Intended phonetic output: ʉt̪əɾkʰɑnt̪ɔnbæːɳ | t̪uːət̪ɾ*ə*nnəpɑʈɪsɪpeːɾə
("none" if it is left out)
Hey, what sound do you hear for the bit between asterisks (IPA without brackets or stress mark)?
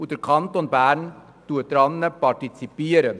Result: ɑ